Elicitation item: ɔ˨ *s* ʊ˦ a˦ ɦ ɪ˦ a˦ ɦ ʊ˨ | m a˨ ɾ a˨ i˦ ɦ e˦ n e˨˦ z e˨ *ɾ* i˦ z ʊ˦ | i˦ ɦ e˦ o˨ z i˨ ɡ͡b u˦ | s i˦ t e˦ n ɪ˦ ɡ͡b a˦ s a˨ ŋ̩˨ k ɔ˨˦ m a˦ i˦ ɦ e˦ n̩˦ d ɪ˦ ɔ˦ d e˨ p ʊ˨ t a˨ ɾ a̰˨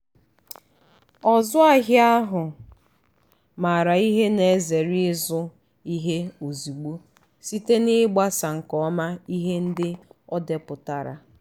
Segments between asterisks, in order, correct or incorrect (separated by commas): incorrect, correct